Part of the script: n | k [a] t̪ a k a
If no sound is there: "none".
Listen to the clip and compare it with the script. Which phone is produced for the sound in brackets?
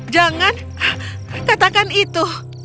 a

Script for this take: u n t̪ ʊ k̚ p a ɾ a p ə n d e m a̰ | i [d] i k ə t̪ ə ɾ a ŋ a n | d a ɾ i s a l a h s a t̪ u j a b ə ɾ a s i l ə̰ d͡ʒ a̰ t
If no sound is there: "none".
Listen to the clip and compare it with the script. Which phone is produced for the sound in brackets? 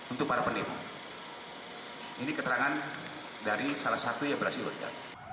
n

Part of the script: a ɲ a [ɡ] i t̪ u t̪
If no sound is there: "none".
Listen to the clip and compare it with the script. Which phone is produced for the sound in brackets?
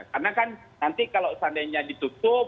d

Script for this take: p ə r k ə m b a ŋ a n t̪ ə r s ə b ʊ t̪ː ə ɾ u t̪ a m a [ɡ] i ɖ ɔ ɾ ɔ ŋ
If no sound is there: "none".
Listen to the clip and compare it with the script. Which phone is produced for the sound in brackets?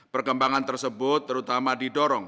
d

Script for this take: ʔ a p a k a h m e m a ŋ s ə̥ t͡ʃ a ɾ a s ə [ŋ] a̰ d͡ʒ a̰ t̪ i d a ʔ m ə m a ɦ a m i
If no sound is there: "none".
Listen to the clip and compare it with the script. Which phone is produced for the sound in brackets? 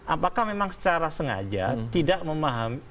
ŋ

